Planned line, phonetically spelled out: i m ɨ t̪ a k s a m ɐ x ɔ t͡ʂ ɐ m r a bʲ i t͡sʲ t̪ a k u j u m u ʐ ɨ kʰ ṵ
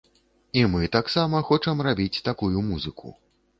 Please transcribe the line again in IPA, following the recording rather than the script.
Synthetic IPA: i m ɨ t̪ a k s a m ɐ x ɔ t͡ʂ ɐ m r a bʲ i t͡sʲ t̪ a k u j u m u z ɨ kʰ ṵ